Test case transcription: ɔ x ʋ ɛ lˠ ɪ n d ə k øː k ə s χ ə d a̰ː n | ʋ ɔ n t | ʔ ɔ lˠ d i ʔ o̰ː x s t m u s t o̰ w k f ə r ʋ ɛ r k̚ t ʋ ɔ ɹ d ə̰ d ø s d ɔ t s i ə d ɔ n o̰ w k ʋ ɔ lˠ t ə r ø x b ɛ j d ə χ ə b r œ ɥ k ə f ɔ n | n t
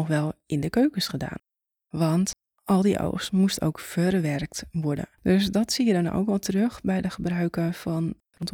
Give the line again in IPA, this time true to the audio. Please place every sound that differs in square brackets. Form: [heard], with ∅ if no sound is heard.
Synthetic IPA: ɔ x ʋ ɛ lˠ ɪ n d ə k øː k ə s χ ə d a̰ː n | ʋ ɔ n t | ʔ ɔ lˠ d i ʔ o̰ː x s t m u s t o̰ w k f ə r ʋ ɛ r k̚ t ʋ ɔ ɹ d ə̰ d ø s d ɔ t s i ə d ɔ n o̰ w k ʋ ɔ lˠ t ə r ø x b ɛ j d ə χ ə b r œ ɥ k ə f ɔ n | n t